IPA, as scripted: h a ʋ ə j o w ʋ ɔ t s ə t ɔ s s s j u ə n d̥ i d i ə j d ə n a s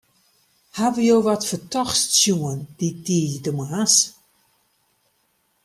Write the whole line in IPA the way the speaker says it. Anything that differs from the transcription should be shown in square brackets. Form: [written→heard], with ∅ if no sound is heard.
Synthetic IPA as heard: h a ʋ ə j o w ʋ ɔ t [s→f] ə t ɔ [s→x] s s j u ə n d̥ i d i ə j d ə [n→m] a s